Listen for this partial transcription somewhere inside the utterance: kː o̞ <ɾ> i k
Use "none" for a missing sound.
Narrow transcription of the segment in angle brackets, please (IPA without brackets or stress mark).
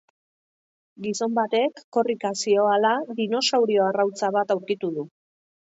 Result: r